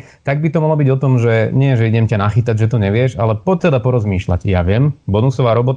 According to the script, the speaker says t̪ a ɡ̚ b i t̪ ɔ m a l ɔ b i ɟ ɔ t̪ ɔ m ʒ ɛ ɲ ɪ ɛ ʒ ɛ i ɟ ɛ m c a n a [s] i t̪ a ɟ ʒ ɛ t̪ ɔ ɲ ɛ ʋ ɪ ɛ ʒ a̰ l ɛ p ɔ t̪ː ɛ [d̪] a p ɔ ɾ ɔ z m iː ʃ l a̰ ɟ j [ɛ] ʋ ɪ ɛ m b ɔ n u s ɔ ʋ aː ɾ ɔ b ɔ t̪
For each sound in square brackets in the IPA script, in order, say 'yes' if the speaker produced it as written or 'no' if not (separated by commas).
no, yes, no